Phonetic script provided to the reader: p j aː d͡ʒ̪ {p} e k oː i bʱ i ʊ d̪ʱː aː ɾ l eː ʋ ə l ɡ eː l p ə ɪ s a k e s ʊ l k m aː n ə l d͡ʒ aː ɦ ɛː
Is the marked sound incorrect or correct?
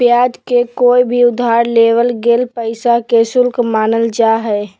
incorrect: k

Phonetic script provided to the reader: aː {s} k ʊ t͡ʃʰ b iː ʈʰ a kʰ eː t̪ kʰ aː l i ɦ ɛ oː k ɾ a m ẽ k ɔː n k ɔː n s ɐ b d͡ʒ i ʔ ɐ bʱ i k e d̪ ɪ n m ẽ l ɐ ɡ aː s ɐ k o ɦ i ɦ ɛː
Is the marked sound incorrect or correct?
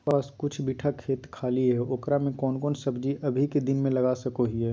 correct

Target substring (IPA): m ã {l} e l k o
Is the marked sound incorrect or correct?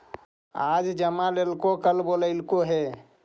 correct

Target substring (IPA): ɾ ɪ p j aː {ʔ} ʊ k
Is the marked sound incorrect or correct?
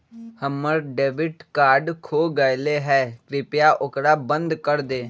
correct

